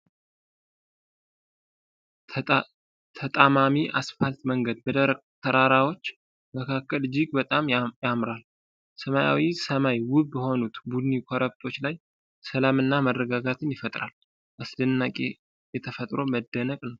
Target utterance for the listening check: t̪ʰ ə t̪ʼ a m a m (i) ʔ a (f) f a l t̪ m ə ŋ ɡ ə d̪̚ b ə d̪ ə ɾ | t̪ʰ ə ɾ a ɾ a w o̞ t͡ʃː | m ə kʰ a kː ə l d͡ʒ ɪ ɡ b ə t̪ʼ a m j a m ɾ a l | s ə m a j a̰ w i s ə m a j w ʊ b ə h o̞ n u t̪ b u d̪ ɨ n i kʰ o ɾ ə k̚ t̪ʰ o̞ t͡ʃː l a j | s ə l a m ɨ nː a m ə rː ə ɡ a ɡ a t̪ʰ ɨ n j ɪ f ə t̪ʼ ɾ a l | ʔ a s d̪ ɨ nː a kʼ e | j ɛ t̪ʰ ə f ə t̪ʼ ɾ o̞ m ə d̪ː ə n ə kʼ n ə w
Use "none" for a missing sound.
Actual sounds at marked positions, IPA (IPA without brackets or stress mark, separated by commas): i, s